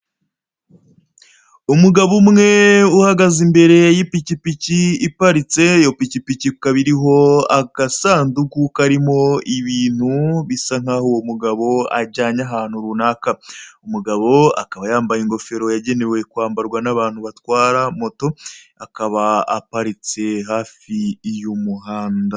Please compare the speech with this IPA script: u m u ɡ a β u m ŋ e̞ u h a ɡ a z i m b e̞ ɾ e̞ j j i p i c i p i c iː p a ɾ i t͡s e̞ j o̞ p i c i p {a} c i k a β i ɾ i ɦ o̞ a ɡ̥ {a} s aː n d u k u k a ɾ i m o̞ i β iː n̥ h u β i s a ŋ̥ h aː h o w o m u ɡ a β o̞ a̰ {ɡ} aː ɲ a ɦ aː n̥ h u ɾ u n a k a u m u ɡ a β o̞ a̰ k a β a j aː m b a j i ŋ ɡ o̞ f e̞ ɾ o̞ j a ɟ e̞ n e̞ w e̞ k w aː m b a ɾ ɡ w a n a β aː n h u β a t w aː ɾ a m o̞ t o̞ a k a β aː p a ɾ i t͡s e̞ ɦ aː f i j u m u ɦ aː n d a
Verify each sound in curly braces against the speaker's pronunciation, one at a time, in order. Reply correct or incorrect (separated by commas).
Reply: incorrect, correct, incorrect